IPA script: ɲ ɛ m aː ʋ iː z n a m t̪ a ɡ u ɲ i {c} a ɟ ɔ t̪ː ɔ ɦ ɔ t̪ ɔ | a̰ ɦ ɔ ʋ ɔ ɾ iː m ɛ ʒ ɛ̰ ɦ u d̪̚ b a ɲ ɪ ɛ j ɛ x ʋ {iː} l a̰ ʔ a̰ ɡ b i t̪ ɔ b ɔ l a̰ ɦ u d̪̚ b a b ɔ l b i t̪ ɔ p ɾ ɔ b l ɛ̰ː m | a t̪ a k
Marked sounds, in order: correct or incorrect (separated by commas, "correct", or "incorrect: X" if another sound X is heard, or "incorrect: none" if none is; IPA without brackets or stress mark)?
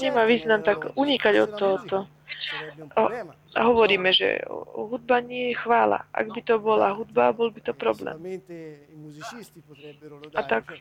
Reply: incorrect: k, incorrect: aː